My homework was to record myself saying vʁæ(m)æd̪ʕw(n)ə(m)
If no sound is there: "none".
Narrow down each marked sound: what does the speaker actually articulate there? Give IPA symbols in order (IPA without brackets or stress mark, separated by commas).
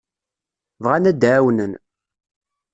n, n, n